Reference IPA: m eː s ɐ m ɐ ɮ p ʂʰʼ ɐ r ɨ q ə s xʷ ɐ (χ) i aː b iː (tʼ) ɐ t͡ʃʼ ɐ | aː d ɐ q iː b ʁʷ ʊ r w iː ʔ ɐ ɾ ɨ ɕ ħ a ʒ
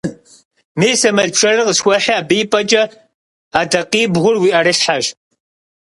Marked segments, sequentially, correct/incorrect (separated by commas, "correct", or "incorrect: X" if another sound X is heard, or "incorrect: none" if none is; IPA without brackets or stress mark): incorrect: ħ, incorrect: pʼ